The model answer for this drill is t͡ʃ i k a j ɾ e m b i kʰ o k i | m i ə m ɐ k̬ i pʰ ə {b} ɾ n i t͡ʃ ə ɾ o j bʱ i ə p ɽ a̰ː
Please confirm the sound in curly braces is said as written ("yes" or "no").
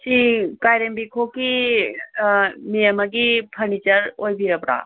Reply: no